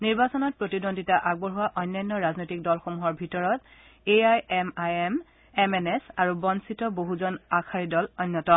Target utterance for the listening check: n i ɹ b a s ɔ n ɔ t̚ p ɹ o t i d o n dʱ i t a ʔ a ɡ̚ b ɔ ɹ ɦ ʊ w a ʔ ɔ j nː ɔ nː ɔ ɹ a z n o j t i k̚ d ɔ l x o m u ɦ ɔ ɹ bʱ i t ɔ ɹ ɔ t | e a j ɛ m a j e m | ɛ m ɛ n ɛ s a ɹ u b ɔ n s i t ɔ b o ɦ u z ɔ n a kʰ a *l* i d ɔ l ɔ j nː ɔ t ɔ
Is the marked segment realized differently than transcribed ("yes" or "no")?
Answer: yes